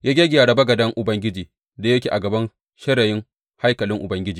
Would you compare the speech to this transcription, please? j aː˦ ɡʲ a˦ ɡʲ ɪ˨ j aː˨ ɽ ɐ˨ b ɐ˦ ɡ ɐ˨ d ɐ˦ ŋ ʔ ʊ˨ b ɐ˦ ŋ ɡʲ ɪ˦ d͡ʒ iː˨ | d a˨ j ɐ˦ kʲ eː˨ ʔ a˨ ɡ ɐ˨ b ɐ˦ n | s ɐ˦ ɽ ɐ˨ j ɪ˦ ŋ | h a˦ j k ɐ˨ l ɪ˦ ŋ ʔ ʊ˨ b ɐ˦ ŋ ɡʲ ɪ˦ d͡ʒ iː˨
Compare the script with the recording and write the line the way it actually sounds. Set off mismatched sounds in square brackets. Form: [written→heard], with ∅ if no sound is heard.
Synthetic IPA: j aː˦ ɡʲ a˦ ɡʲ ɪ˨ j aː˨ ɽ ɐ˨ b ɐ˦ ɡ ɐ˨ d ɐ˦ ŋ ʔ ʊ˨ b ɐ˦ ŋ ɡʲ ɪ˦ d͡ʒ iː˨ | d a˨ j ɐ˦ kʲ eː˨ ʔ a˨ ɡ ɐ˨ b ɐ˦ n | [s→ʃ] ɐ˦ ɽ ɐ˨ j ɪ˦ ŋ | h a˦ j k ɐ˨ l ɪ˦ ŋ ʔ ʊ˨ b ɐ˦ ŋ ɡʲ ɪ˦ d͡ʒ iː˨

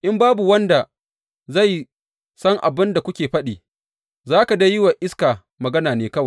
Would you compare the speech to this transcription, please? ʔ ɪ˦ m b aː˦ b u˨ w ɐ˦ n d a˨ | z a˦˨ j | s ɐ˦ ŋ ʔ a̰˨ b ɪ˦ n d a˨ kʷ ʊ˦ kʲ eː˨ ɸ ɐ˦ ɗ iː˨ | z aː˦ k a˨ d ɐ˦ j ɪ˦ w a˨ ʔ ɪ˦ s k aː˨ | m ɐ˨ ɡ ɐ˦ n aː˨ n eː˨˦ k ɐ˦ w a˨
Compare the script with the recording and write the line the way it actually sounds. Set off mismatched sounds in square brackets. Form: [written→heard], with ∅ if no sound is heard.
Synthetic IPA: ʔ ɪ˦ m b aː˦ b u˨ w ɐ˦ n d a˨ | z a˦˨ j | s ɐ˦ ŋ ʔ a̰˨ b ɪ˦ n d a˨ kʷ ʊ˦ kʲ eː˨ ɸ ɐ˦ ɗ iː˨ | z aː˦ k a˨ d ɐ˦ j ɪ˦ w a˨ ʔ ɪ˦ s k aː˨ | m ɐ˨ ɡ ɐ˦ n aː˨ n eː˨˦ k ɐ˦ w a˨

